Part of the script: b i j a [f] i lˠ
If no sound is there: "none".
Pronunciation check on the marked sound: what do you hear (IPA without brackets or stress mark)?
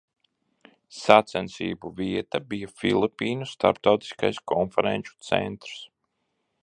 f